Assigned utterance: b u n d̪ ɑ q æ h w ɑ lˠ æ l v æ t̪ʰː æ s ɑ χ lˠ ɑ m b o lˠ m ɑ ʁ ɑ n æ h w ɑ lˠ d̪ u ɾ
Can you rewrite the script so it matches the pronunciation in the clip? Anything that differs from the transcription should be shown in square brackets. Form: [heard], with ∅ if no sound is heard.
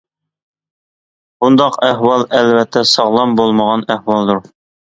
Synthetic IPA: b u n d̪ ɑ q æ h w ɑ lˠ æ l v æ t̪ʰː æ s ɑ [ʁ] lˠ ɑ m b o lˠ m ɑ ʁ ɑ n æ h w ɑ lˠ d̪ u ɾ